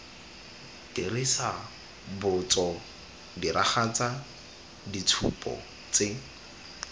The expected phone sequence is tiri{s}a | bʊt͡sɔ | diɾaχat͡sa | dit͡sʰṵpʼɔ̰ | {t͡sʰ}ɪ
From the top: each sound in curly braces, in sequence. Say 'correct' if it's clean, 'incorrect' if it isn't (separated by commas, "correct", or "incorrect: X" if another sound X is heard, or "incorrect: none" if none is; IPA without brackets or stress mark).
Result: correct, incorrect: t͡s